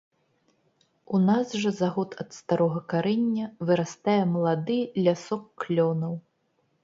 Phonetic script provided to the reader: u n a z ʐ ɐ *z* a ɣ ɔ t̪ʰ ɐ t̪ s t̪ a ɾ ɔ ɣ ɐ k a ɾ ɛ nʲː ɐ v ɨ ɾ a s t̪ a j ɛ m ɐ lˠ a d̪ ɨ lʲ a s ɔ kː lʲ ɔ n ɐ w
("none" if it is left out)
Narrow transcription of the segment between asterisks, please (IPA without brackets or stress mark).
z